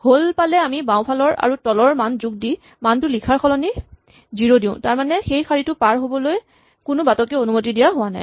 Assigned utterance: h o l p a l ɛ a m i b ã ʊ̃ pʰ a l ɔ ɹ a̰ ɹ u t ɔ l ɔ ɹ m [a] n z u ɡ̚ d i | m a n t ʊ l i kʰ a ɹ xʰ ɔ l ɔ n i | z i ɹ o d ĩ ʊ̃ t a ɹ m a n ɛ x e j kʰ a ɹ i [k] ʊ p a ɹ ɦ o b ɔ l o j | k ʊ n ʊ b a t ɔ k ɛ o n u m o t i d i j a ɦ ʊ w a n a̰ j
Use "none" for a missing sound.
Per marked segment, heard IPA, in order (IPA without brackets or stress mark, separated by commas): a, t